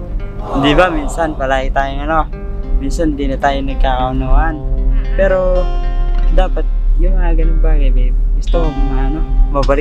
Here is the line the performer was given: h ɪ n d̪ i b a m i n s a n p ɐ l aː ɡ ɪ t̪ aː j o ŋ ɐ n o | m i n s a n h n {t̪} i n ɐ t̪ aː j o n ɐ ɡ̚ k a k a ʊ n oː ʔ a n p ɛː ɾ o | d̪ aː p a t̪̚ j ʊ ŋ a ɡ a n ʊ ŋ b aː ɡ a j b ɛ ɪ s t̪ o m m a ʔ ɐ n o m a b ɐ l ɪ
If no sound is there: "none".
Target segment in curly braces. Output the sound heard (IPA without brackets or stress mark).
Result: d̪